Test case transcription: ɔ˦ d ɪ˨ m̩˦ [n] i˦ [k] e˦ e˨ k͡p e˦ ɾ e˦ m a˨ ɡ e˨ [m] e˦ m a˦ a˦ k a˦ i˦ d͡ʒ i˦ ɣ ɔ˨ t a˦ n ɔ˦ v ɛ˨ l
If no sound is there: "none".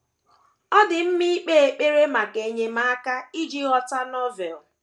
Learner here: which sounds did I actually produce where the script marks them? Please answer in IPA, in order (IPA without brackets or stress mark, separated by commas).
m, k͡p, ɲ